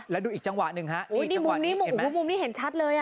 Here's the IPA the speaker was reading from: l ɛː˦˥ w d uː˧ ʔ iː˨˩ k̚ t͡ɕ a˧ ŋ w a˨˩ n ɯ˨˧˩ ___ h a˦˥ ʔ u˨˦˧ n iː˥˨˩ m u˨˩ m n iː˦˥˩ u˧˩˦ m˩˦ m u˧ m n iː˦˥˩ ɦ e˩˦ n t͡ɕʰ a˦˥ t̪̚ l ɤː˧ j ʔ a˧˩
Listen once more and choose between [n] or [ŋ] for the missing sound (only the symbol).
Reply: ŋ